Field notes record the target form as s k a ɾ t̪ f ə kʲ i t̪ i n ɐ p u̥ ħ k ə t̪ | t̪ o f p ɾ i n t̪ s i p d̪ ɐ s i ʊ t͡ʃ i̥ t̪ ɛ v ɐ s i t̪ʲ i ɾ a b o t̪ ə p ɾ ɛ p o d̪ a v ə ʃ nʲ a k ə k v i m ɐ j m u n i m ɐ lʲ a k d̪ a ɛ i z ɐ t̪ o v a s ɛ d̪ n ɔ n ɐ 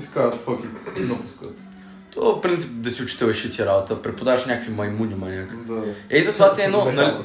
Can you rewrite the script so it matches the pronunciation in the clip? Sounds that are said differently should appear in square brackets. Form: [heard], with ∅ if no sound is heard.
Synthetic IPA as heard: s k a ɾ t̪ f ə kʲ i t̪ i n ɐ p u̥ [s] k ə t̪ | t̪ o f p ɾ i n t̪ s i p d̪ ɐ s i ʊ t͡ʃ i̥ t̪ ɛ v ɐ [ʃ] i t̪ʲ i ɾ a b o t̪ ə p ɾ ɛ p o d̪ a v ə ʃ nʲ a k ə k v i m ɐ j m u n i m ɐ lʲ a k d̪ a ɛ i z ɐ t̪ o v a s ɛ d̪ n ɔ n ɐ